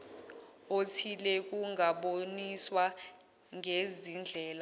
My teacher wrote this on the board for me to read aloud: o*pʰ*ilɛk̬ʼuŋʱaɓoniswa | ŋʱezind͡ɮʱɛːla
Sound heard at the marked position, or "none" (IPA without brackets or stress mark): tʰ